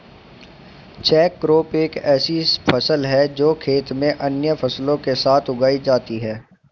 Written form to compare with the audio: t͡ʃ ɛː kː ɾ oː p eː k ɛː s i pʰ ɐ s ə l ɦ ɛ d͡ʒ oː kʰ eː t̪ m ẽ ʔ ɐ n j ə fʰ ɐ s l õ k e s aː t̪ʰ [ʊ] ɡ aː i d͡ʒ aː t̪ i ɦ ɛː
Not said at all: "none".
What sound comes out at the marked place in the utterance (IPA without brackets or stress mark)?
ʊ